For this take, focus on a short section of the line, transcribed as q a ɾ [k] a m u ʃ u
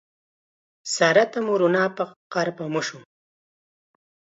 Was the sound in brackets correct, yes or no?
no